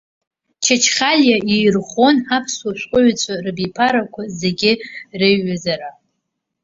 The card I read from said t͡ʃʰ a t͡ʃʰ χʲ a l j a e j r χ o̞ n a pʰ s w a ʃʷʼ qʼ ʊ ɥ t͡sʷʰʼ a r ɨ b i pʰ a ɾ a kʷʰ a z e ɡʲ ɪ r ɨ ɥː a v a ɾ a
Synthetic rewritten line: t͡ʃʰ a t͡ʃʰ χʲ a l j a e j r χ o̞ n a pʰ s w a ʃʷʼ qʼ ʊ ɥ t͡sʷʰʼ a r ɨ b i pʰ a ɾ a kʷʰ a z e ɡʲ ɪ r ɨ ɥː a z a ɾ a